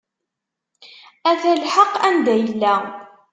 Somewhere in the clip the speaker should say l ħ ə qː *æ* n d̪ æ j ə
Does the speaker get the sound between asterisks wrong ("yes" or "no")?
no